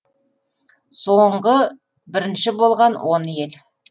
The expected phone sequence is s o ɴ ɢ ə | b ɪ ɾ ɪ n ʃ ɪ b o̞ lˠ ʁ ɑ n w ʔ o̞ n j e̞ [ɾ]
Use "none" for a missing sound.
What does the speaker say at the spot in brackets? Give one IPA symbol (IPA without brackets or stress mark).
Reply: l